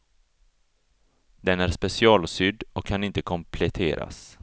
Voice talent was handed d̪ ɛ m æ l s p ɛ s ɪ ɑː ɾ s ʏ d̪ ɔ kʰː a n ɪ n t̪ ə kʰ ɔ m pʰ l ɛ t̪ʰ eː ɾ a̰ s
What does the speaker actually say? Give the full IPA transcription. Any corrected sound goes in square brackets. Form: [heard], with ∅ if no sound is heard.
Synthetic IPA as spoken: d̪ ɛ [n] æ [ɾ] s p ɛ s ɪ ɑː [l] s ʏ d̪ ɔ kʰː a n ɪ n t̪ ə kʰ ɔ m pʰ l ɛ t̪ʰ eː ɾ a̰ s